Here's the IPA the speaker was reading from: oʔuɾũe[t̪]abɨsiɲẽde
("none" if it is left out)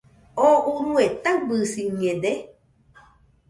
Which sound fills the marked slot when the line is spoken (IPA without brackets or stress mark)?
t̪